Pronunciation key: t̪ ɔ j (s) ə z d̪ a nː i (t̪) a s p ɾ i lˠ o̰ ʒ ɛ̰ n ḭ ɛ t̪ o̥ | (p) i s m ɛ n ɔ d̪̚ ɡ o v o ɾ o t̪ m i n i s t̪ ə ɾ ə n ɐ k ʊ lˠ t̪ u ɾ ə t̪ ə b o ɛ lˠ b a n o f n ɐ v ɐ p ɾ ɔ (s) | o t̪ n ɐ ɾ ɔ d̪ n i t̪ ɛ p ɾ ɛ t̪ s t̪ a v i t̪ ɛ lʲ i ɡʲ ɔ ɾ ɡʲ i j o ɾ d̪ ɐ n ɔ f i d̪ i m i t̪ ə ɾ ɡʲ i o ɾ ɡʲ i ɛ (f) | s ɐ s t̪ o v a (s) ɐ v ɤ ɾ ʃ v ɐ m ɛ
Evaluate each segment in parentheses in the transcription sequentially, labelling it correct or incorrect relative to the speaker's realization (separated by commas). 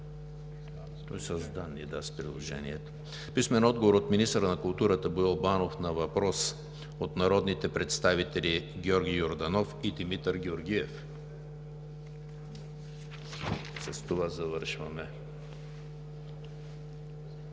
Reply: correct, incorrect, correct, correct, correct, incorrect